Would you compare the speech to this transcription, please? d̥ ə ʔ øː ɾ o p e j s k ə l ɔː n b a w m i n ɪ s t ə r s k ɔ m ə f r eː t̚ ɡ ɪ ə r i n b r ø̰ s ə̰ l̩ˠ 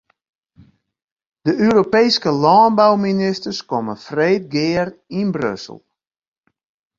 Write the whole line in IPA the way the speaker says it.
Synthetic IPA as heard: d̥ ə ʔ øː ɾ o p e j s k ə l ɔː n b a w m i n ɪ s t ə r s k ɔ m ə f r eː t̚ ɡ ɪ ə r i n b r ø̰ s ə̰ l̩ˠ